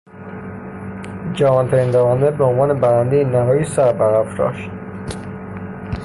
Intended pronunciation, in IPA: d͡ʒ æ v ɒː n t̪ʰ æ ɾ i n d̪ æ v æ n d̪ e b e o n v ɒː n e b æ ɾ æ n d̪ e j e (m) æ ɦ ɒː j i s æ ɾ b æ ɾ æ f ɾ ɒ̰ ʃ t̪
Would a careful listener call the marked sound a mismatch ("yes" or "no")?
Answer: yes